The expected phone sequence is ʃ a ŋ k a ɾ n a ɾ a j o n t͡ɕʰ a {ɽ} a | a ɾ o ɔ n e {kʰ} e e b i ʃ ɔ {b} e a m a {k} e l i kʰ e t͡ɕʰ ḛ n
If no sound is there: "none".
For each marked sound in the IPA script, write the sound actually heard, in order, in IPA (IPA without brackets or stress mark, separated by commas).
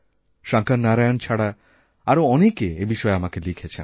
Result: ɽ, k, none, k